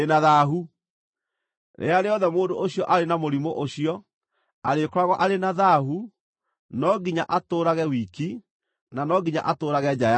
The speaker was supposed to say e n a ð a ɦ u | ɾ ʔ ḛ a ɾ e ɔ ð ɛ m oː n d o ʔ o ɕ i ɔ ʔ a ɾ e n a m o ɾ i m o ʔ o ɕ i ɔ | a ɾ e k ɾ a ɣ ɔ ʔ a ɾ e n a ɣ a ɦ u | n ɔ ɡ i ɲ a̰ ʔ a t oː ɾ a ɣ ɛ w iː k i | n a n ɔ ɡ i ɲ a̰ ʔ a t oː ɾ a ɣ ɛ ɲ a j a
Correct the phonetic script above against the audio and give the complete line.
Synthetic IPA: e n a ð a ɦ u | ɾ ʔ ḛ a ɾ e ɔ ð ɛ m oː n d o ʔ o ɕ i ɔ ʔ a ɾ e n a m o ɾ i m o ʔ o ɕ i ɔ | a ɾ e k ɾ a ɣ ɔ ʔ a ɾ e n a ð a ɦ u | n ɔ ɡ i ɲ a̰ ʔ a t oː ɾ a ɣ ɛ w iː k i | n a n ɔ ɡ i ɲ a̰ ʔ a t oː ɾ a ɣ ɛ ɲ a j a